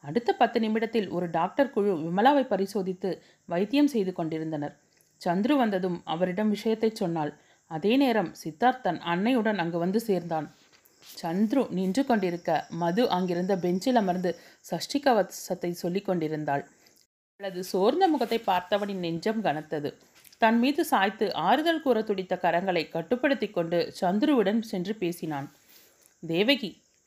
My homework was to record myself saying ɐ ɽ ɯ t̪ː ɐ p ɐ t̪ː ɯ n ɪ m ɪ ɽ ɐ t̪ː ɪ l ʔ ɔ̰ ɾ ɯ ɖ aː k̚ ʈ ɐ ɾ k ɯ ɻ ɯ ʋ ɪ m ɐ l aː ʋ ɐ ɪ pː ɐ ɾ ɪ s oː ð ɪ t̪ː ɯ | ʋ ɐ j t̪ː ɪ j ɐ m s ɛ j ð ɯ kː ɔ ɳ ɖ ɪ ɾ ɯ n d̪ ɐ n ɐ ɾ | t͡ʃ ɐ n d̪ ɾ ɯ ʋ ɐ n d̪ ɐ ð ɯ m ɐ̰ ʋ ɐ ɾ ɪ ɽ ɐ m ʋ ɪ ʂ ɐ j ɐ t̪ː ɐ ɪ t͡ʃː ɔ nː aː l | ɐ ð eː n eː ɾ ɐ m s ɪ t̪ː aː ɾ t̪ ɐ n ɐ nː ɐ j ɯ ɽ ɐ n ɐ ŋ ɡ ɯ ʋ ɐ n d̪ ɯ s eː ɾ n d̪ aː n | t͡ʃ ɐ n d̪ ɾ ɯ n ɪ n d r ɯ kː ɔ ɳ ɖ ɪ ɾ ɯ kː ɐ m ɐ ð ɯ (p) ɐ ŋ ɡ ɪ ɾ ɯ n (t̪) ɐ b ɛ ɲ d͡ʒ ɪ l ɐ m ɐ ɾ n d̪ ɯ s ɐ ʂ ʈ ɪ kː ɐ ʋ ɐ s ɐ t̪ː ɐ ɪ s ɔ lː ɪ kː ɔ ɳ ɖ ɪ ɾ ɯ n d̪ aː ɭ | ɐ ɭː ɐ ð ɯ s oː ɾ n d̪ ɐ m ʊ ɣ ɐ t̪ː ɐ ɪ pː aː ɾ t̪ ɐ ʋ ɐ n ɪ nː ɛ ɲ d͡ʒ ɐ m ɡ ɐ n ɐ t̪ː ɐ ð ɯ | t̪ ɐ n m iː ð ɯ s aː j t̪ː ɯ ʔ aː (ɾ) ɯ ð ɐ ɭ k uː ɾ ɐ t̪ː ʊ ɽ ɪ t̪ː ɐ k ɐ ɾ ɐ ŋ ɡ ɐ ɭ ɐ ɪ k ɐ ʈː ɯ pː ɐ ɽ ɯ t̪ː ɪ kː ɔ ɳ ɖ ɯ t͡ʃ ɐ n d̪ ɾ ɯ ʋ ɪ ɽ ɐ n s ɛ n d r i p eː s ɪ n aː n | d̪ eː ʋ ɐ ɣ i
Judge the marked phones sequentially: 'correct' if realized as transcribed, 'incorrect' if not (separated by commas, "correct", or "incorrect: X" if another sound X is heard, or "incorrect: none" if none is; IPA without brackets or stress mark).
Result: incorrect: ʔ, incorrect: d̪, correct